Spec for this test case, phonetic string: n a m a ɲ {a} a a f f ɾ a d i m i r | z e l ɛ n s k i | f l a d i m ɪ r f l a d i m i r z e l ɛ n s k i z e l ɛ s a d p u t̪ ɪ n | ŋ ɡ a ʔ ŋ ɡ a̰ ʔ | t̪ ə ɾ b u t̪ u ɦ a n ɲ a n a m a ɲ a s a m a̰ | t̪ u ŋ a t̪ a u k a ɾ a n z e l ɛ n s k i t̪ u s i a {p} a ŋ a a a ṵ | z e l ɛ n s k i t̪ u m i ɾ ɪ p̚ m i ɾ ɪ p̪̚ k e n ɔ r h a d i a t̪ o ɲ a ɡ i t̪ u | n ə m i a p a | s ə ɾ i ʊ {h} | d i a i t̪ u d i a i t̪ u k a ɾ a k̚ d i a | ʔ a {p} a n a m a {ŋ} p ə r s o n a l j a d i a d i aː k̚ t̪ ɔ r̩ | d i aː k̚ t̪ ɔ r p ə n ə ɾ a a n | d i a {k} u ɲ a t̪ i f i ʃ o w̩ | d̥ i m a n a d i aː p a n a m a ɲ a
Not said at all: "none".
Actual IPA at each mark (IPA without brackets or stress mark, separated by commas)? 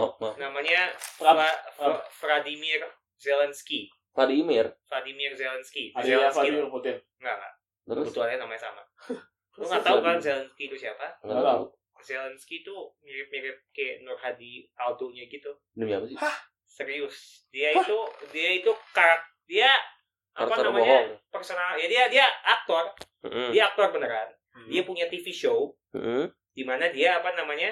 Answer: a, p, s, p, ɲ, p